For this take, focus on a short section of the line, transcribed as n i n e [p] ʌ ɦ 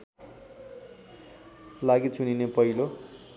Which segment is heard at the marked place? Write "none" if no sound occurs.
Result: p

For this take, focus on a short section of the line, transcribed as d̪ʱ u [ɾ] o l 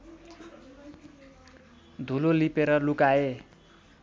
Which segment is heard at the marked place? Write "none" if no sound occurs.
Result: l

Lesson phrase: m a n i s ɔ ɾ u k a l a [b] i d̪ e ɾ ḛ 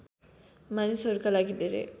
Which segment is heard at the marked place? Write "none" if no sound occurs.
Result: ɡ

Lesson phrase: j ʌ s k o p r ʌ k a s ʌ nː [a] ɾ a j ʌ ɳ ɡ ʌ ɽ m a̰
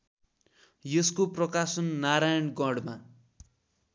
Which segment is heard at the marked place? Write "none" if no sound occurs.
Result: a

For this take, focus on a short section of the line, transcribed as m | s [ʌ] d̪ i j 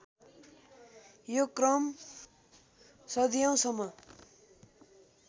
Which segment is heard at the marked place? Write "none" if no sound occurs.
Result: ʌ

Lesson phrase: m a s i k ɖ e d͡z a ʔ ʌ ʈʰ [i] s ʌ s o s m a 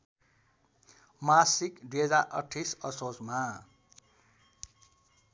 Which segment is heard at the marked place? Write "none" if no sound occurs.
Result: i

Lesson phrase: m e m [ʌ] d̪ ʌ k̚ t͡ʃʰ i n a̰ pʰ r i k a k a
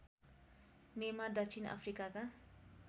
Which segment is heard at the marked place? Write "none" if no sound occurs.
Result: a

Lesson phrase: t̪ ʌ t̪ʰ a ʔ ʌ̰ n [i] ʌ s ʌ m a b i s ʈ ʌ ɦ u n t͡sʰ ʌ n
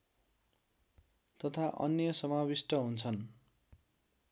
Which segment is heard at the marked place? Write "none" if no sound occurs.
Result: j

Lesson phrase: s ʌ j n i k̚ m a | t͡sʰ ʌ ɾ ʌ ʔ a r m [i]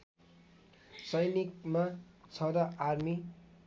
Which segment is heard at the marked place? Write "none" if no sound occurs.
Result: i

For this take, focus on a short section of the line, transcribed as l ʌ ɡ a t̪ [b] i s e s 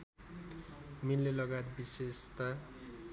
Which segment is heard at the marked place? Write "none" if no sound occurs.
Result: b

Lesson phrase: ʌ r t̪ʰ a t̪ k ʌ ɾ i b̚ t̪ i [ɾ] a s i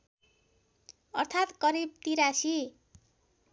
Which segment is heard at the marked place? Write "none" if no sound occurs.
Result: ɾ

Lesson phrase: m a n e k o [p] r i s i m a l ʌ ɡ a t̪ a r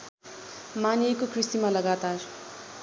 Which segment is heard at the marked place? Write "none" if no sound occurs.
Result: k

